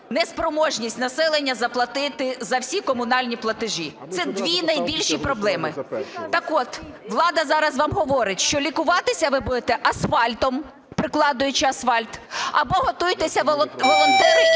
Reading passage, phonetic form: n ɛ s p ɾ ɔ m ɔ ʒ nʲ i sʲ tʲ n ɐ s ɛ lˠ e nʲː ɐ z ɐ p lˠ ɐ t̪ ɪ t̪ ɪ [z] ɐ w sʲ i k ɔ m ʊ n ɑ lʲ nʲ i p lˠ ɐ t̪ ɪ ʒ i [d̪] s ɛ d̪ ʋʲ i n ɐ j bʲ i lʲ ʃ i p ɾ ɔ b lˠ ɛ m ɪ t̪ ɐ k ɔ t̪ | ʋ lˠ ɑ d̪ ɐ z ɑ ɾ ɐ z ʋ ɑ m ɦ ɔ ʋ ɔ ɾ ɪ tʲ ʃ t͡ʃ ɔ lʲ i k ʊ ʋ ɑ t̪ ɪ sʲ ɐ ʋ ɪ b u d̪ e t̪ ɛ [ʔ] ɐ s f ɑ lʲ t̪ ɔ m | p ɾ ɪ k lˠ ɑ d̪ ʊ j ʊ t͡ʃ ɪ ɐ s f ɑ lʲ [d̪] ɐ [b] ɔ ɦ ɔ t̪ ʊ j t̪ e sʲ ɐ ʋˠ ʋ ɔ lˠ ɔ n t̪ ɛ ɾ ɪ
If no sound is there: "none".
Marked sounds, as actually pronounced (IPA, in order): z, t̪, ʔ, t̪, b

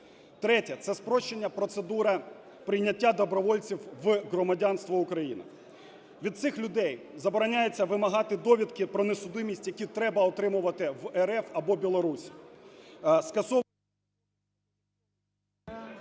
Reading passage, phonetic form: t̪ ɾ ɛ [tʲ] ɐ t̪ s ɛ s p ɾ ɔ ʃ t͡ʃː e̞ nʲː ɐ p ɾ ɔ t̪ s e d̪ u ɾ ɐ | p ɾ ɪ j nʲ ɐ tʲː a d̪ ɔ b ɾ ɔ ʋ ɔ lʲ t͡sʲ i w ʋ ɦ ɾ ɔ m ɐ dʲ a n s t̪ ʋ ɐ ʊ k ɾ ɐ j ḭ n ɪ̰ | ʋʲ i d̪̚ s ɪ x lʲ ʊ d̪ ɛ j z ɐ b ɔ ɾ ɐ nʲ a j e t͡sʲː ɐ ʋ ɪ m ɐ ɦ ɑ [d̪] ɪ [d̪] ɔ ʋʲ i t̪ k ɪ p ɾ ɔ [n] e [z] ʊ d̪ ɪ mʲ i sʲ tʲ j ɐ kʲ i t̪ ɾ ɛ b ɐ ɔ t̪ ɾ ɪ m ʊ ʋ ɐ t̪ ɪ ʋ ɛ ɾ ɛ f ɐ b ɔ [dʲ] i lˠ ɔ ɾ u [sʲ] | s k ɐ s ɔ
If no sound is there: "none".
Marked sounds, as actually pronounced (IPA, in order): tʲ, t̪, d̪, n, s, bʲ, sʲ

